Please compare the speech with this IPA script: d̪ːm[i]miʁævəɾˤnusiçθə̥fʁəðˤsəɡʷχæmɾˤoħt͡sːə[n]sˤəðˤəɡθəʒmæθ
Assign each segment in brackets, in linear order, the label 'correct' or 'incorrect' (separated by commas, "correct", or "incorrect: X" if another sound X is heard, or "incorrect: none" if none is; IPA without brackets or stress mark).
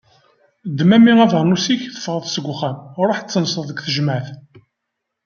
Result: incorrect: æ, correct